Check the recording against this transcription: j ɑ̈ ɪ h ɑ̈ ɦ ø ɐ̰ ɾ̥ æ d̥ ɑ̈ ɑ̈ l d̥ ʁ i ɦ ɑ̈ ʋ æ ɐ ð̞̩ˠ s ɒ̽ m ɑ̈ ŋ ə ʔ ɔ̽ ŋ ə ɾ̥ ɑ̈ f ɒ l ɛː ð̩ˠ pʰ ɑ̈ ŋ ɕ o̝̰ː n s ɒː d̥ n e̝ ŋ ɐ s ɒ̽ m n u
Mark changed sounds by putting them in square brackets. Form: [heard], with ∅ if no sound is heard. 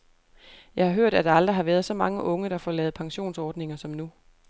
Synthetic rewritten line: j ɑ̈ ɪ h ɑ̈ ɦ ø ɐ̰ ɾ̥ æ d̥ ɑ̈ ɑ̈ l d̥ ʁ i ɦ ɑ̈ ʋ æ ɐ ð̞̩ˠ s ɒ̽ m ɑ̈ ŋ ə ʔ ɔ̽ ŋ ə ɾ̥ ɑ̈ f ɒ l ɛː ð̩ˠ pʰ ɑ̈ ŋ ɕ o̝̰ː n s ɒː d̥ n e̝ ŋ ɐ s ɒ̽ m n u